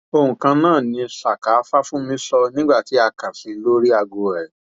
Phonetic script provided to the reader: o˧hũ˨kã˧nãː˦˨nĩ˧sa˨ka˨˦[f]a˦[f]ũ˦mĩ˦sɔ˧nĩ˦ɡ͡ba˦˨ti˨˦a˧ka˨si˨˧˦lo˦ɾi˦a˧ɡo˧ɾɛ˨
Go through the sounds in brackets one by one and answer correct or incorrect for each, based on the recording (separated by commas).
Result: correct, correct